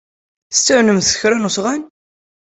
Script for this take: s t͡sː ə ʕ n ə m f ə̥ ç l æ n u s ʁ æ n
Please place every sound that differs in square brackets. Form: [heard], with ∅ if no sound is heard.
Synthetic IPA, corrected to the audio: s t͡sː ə ʕ n ə m [θ] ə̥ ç [ɾ] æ n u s ʁ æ n